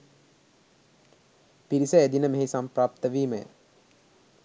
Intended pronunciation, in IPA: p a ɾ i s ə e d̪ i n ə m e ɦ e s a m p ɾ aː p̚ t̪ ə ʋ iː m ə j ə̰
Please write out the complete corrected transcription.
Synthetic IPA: p i ɾ i s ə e d̪ i n ə m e ɦ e s a m p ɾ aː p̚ t̪ ə ʋ iː m ə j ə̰